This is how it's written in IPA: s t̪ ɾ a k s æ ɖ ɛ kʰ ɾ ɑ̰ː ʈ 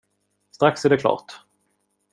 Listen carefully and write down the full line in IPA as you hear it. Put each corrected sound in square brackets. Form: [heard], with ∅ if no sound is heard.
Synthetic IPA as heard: s t̪ ɾ a k s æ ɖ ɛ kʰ [l] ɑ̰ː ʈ